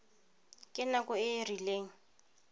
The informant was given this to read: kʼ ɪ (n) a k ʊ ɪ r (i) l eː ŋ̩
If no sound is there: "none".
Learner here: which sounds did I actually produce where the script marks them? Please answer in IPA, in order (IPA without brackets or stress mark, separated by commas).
n, i